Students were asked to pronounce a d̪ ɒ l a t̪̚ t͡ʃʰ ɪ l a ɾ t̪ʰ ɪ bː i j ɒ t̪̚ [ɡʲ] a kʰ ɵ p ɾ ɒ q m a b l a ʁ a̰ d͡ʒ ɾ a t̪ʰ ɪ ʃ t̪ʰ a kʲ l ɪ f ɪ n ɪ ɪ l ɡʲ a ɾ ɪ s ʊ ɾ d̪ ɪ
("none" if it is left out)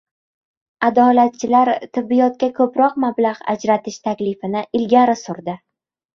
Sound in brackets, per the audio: kʲ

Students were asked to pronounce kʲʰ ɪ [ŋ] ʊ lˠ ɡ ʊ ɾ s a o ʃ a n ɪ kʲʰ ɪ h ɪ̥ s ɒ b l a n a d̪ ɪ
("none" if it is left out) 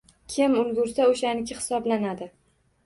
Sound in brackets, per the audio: m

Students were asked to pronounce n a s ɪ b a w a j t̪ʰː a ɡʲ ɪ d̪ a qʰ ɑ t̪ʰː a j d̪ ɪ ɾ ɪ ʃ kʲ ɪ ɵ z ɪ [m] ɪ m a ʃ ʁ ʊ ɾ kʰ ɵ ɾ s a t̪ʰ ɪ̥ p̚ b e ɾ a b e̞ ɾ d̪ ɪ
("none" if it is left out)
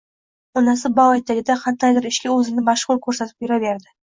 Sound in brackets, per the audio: n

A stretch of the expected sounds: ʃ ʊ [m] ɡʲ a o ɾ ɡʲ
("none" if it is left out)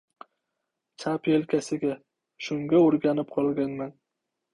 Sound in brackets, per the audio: ŋ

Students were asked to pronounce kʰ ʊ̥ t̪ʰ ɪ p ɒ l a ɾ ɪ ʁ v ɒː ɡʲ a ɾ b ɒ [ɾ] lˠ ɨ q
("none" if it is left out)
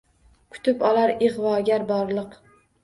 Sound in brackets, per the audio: ɾ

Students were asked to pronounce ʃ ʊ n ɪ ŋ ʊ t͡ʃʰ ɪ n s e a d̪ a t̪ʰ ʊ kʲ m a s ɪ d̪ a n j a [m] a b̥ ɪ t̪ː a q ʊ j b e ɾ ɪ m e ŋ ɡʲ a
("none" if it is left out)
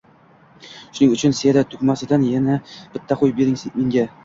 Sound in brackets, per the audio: n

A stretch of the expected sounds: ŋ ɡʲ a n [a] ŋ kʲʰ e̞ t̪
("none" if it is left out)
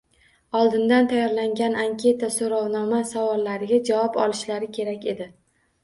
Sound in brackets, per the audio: a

